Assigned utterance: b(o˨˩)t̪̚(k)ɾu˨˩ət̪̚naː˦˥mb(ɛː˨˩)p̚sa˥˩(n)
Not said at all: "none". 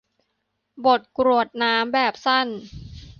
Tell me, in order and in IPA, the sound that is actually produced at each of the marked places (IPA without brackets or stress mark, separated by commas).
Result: o˨˩, k, ɛː˨˩, n